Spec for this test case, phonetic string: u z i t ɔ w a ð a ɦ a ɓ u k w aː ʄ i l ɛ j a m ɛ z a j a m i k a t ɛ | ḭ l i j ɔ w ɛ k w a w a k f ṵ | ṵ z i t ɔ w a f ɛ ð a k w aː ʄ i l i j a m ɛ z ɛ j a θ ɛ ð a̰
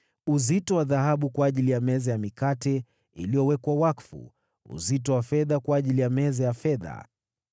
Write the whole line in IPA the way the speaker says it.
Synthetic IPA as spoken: u z i t ɔ w a ð a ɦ a ɓ u k w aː ʄ i l i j a m ɛ z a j a m i k a t ɛ | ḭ l i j ɔ w ɛ k w a w a k f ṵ | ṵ z i t ɔ w a f ɛ ð a k w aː ʄ i l i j a m ɛ z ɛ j a f ɛ ð a̰